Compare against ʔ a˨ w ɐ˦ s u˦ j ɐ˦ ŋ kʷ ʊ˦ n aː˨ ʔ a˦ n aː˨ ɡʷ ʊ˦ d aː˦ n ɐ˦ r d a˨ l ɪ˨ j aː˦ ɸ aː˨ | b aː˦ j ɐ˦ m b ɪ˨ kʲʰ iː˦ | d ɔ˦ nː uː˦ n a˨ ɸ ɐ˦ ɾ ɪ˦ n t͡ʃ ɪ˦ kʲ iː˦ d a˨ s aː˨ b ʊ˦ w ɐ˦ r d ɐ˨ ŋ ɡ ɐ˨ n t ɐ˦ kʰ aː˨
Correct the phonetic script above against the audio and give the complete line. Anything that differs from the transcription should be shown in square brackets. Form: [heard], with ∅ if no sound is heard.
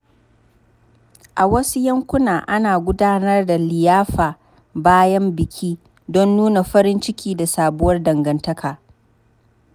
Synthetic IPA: ʔ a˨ w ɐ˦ s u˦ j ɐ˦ ŋ kʷ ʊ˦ n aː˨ ʔ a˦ n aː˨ ɡʷ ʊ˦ d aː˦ n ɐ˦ r d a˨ l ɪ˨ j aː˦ ɸ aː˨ | b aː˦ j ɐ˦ m b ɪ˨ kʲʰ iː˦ | d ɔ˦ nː uː˦ n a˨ ɸ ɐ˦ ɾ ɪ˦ n t͡ʃ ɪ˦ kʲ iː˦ d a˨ s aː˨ b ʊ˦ w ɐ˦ r d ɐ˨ ŋ ɡ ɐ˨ n t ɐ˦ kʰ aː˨